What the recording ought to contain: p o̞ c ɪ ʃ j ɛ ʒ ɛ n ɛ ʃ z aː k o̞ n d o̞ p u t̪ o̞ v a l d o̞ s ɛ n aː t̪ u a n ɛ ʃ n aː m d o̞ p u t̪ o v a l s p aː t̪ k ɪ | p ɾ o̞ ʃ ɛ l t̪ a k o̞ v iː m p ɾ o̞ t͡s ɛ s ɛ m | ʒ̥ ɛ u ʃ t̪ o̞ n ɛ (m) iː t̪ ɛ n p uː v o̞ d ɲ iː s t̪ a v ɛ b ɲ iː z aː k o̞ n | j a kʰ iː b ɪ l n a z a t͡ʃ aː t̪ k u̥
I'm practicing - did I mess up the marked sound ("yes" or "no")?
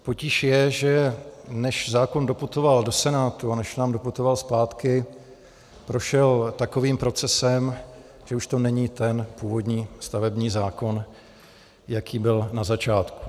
yes